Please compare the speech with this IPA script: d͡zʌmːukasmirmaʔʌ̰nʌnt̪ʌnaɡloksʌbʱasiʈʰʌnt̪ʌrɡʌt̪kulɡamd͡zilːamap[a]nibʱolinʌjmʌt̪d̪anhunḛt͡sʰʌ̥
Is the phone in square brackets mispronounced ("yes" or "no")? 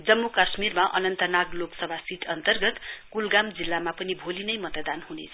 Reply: yes